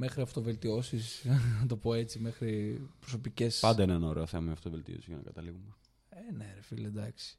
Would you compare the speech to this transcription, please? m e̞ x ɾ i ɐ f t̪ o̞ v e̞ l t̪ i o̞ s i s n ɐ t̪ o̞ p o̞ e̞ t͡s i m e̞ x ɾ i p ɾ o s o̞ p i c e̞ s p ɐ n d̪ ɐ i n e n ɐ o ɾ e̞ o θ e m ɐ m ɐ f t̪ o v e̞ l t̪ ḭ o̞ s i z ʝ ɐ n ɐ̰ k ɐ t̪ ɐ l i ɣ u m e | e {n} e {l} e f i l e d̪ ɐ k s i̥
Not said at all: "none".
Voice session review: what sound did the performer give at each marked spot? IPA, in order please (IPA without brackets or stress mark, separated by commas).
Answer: n, ɾ